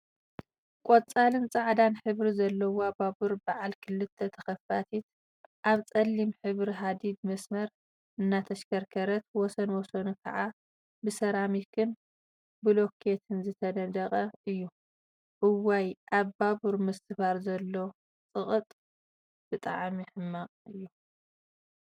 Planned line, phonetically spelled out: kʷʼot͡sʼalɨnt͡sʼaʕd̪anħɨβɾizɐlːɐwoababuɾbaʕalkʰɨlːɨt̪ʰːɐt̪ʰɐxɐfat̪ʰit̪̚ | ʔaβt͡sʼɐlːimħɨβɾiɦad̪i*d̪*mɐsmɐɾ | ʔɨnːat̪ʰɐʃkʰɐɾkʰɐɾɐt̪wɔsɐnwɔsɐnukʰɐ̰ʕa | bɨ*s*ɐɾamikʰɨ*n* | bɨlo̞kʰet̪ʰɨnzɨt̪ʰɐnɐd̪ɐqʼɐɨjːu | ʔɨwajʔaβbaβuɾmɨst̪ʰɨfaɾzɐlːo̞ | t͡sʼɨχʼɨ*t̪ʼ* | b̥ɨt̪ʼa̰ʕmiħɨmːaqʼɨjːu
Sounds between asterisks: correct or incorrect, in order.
correct, correct, correct, correct

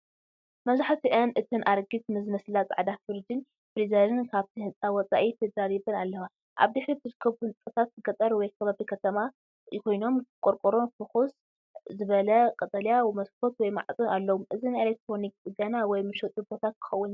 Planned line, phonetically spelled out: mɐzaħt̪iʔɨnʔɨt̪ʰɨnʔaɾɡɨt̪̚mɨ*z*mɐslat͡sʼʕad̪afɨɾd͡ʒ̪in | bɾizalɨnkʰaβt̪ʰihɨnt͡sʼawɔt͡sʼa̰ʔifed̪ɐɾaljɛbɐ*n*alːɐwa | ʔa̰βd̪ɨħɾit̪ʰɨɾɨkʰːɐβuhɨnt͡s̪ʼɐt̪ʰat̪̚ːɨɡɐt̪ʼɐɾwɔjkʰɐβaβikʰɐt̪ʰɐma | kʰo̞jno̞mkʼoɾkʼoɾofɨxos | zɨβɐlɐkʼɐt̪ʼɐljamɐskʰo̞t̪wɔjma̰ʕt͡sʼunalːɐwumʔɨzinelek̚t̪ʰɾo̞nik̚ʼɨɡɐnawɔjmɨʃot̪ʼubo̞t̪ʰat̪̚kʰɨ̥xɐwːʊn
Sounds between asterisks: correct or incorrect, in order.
correct, correct

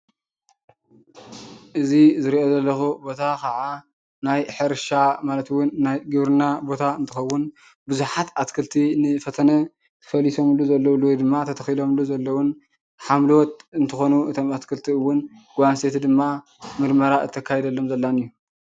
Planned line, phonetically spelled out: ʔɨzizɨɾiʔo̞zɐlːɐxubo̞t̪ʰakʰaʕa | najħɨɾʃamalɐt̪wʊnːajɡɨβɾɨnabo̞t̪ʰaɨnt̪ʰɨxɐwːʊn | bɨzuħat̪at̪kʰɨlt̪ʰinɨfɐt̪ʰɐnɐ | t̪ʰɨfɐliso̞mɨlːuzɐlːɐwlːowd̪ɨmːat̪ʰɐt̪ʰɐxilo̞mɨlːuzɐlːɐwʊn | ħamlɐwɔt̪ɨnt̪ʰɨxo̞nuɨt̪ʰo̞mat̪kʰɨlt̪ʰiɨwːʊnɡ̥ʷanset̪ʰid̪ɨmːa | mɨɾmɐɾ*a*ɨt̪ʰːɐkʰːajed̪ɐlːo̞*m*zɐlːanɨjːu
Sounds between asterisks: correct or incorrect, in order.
correct, correct

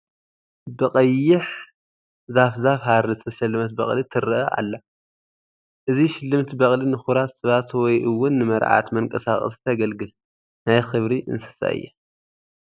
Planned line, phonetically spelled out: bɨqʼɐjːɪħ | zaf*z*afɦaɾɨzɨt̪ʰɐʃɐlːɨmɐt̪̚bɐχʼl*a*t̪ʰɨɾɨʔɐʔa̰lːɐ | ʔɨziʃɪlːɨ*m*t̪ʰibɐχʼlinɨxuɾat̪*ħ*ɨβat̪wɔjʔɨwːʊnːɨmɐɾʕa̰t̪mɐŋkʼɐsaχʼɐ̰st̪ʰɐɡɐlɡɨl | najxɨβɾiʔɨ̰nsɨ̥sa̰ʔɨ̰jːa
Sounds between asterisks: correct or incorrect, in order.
correct, incorrect: i, correct, incorrect: s

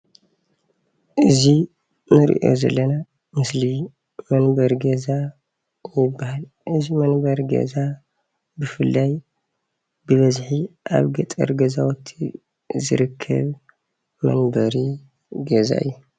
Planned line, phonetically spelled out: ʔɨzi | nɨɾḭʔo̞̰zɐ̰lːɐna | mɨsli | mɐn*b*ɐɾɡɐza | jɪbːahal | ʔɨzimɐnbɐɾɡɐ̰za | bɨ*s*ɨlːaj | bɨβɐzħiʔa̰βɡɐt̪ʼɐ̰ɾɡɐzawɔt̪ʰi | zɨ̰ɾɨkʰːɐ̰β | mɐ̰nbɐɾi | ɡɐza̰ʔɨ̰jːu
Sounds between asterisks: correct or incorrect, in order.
correct, incorrect: f

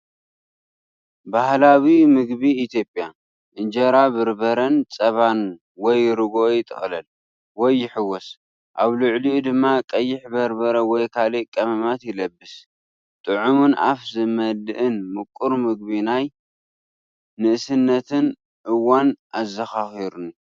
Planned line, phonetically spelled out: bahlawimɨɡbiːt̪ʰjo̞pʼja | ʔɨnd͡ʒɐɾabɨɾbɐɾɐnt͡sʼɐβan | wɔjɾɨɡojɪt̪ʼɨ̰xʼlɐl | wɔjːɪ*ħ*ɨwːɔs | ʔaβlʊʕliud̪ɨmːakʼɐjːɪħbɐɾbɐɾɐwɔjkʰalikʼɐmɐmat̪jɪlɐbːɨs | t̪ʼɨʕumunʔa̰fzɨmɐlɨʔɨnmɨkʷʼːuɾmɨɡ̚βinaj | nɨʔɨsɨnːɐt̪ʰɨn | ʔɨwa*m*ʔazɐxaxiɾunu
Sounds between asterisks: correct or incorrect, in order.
correct, incorrect: n

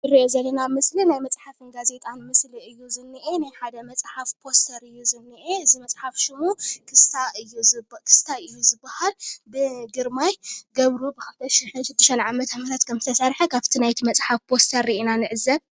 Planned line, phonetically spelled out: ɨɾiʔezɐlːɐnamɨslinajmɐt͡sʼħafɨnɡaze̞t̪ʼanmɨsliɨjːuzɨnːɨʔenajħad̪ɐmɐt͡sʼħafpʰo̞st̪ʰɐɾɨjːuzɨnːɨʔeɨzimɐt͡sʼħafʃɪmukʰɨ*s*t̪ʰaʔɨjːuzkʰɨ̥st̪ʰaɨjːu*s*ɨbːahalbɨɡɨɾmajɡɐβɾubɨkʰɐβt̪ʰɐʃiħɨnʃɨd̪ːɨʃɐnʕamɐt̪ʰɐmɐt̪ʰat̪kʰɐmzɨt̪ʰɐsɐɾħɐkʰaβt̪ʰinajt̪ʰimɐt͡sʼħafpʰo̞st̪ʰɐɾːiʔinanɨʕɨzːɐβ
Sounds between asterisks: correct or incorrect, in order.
correct, incorrect: z

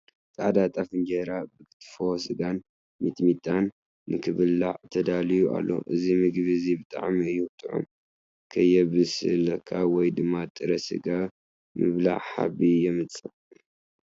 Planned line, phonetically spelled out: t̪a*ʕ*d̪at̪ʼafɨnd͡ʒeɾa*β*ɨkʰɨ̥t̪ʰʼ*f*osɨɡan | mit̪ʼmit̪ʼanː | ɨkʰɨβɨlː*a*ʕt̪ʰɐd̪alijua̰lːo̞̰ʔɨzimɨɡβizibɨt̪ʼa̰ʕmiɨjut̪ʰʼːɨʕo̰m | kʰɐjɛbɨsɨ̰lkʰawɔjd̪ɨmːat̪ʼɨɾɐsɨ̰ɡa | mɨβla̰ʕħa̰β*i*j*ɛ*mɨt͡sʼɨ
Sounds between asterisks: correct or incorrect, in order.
correct, incorrect: b, correct, correct, correct, correct

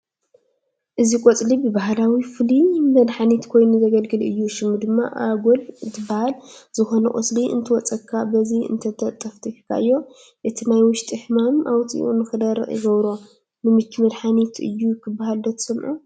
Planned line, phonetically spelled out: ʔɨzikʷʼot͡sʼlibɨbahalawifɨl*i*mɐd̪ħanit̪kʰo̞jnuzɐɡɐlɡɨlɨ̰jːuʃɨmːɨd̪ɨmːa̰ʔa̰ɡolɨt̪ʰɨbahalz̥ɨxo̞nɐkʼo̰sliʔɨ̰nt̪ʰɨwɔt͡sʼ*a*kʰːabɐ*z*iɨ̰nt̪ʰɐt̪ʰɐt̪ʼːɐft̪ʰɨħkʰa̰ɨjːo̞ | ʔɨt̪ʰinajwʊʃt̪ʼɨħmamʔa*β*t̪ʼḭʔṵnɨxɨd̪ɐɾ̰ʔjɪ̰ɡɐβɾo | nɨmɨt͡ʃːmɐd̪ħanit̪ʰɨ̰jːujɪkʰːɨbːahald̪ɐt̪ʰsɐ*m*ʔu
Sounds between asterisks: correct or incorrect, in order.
correct, incorrect: ɐ, correct, incorrect: w, correct

